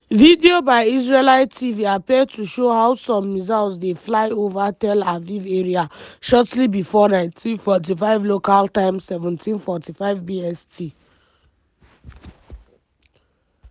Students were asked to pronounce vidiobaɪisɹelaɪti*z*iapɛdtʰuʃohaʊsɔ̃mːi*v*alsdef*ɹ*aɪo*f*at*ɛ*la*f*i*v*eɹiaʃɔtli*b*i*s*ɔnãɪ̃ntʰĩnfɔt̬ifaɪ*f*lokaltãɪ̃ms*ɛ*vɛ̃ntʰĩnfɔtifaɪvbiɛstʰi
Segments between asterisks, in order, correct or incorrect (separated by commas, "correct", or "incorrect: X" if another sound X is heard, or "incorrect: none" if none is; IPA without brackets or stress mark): incorrect: v, incorrect: z, incorrect: l, incorrect: v, correct, incorrect: v, correct, correct, incorrect: f, incorrect: v, correct